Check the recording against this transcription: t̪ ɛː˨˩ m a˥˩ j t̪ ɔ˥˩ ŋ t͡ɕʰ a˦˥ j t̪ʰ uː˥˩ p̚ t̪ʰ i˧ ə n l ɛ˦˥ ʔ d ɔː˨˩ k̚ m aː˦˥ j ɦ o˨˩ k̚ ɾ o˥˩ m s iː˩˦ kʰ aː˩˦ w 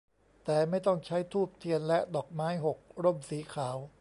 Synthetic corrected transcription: t̪ ɛː˨˩ m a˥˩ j t̪ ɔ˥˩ ŋ t͡ɕʰ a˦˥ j t̪ʰ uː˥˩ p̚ t̪ʰ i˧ ə n l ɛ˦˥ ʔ d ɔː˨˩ k̚ m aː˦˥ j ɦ o˨˩ k̚ ɾ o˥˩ m s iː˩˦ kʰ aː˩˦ w